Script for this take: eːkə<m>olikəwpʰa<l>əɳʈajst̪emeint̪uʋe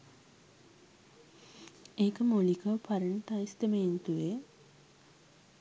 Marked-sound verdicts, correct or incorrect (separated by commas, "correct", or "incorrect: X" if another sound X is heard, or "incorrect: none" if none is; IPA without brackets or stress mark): correct, incorrect: ɾ